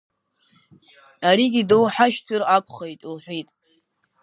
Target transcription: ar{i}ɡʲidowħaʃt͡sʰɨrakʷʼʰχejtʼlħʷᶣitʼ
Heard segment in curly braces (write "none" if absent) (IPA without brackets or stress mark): i